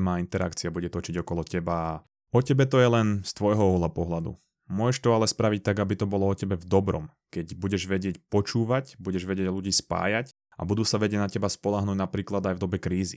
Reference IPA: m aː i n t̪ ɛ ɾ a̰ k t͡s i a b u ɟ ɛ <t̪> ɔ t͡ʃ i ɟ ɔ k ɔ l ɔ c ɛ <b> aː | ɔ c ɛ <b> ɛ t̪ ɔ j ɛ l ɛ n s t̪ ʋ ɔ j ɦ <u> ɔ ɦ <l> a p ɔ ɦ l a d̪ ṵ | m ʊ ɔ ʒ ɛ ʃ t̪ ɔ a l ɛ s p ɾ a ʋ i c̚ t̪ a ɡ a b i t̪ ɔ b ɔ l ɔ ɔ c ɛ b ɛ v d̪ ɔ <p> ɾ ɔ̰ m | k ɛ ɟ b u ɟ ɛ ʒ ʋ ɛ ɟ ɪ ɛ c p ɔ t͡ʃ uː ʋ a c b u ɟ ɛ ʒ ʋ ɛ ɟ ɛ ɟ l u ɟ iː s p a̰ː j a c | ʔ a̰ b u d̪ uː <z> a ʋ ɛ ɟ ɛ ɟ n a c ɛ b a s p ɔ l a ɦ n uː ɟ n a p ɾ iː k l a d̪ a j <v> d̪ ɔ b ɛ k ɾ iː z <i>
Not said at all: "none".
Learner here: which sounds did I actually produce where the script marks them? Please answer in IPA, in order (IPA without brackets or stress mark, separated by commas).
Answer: t̪, b, b, ɔ, l, b, s, v, i